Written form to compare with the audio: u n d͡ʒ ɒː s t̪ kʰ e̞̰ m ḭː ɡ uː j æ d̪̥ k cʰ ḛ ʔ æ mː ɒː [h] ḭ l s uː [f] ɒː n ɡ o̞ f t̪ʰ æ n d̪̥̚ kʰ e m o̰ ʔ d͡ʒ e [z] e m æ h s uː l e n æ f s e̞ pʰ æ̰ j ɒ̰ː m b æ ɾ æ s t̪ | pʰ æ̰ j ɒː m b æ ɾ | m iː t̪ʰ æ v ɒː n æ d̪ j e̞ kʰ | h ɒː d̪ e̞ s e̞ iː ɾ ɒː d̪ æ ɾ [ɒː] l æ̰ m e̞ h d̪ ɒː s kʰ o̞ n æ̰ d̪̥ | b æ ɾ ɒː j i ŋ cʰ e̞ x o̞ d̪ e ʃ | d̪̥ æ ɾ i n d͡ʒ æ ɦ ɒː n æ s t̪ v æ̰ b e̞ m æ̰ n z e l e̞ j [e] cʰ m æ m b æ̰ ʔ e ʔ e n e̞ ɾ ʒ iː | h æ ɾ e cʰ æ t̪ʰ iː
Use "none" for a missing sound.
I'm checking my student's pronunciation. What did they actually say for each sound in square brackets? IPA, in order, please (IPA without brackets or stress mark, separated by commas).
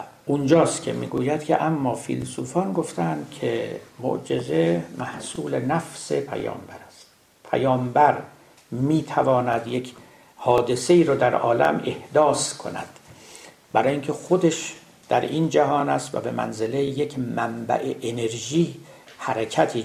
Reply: f, f, z, ɒː, e